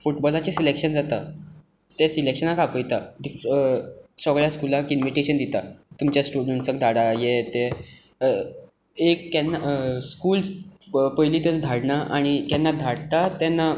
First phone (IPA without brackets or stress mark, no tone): f